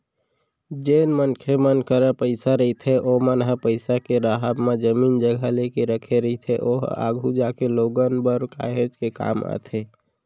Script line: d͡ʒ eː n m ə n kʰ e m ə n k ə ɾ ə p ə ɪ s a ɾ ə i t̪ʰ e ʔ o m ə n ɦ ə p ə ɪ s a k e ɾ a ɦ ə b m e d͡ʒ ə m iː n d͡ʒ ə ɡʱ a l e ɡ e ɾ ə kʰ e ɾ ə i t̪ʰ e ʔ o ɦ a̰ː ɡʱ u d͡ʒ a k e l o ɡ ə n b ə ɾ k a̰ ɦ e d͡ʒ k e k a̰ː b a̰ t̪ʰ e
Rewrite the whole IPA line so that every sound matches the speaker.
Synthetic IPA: d͡ʒ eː n m ə n kʰ e m ə n k ə ɾ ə p ə ɪ s a ɾ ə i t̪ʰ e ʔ o m ə n ɦ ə p ə ɪ s a k e ɾ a ɦ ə b m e d͡ʒ ə m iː n d͡ʒ ə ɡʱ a l e k e ɾ ə kʰ e ɾ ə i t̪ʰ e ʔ o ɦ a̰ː ɡʱ u d͡ʒ a k e l o ɡ ə n b ə ɾ k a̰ ɦ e d͡ʒ k e k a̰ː m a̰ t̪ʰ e